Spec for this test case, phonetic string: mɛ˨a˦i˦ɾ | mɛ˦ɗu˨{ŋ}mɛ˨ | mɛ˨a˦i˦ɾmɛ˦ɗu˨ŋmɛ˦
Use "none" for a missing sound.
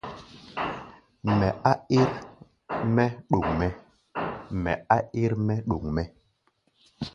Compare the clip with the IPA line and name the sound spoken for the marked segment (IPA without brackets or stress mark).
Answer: ŋ